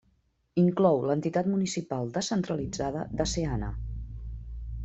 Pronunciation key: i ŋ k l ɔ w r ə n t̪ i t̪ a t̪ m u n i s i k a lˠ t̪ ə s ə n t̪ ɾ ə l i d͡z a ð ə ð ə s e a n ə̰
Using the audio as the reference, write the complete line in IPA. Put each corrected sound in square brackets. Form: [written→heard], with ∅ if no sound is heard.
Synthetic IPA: i ŋ k l ɔ w [r→l] ə n t̪ i t̪ a t̪ m u n i s i [k→p] a lˠ [t̪→d̪] ə s ə n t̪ ɾ ə l i d͡z a ð ə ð ə s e a n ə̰